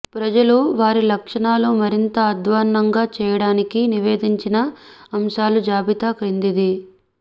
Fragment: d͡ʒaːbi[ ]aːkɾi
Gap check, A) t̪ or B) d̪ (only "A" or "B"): A